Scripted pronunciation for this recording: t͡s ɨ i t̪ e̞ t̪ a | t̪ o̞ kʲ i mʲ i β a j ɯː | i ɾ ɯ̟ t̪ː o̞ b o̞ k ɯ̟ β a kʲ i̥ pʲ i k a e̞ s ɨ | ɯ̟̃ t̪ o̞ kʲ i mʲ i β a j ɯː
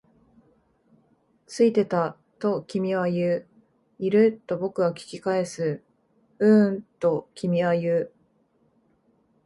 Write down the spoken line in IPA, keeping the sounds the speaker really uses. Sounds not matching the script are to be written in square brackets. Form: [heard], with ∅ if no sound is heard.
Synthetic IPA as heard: t͡s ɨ i t̪ e̞ t̪ a | t̪ o̞ kʲ i mʲ i β a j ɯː | i ɾ ɯ̟ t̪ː o̞ b o̞ k ɯ̟ β a kʲ i̥ [kʲ] i k a e̞ s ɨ | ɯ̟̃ t̪ o̞ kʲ i mʲ i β a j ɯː